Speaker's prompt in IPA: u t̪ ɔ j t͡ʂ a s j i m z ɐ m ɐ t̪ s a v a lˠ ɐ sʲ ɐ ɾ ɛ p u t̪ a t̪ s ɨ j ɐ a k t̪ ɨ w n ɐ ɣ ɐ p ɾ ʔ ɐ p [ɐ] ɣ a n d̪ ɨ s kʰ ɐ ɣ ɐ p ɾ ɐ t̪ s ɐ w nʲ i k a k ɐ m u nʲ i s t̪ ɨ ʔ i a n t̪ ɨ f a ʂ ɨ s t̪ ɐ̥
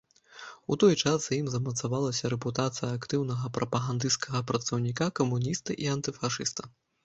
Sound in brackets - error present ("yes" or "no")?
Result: no